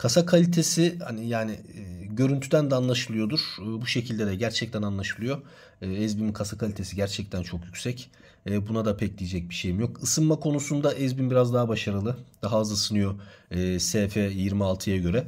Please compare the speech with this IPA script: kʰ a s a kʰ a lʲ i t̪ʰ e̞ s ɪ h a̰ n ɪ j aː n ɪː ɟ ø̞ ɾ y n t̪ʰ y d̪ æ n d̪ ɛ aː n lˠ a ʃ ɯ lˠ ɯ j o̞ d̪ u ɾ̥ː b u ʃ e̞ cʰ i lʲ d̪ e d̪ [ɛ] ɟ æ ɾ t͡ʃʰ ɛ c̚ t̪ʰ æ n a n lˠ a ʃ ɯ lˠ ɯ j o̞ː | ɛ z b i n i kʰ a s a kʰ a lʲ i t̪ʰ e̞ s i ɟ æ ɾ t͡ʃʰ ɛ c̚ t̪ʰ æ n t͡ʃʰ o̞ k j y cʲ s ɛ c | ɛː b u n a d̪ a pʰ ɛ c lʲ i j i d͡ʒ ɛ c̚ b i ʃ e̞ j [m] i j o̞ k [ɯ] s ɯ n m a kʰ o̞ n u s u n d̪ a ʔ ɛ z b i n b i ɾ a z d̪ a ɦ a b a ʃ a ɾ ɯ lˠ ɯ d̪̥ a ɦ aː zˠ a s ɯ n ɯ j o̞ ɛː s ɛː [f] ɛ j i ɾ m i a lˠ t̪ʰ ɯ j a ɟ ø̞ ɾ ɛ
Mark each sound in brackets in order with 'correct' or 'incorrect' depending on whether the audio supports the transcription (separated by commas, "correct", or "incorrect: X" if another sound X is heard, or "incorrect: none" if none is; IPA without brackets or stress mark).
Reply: correct, correct, correct, correct